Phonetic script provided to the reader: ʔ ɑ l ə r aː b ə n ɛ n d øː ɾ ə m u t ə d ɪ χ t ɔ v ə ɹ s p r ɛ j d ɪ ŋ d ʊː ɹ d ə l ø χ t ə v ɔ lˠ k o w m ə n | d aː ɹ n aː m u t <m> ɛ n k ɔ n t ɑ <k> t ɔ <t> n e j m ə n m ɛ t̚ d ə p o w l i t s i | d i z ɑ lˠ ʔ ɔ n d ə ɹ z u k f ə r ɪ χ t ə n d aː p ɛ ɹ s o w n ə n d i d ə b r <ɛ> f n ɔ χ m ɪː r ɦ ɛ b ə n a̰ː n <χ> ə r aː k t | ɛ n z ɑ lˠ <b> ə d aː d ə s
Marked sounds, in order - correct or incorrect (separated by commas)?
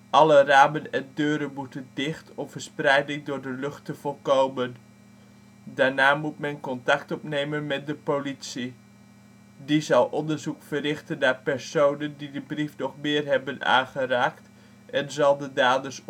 correct, correct, incorrect, incorrect, correct, incorrect